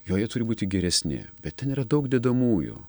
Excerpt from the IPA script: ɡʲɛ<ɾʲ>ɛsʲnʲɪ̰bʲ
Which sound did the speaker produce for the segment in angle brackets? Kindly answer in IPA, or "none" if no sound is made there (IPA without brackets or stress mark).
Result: ɾʲ